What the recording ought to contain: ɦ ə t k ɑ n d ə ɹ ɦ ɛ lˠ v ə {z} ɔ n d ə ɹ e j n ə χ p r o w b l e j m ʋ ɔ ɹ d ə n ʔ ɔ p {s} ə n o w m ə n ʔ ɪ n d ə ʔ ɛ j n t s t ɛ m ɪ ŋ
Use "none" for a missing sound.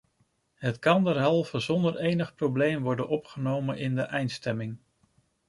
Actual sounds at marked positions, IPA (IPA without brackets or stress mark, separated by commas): z, χ